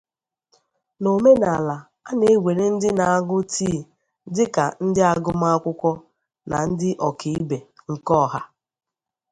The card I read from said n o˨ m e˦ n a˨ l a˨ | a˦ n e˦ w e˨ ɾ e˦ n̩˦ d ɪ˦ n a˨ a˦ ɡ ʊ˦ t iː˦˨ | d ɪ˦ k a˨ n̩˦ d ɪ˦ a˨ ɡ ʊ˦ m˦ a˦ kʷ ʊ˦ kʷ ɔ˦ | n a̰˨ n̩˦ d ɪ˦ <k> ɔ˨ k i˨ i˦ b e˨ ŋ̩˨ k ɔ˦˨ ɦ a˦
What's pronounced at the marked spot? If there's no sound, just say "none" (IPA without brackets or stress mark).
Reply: ʔ